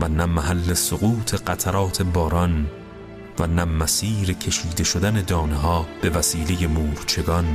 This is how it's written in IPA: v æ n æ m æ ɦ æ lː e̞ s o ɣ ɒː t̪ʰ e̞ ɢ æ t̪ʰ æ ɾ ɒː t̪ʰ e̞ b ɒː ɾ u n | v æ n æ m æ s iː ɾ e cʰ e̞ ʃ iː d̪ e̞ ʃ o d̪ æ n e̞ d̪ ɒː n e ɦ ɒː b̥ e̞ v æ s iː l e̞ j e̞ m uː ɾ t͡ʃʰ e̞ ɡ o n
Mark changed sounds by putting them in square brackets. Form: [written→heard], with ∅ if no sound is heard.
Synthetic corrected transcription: v æ n æ m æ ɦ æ lː e̞ s o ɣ [ɒː→uː] t̪ʰ e̞ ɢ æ t̪ʰ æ ɾ ɒː t̪ʰ e̞ b ɒː ɾ [u→ɒ] n | v æ n æ m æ s iː ɾ e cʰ e̞ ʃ iː d̪ e̞ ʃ o d̪ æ n e̞ d̪ ɒː n e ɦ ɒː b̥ e̞ v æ s iː l e̞ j e̞ m uː ɾ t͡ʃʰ e̞ ɡ [o→ɒ] n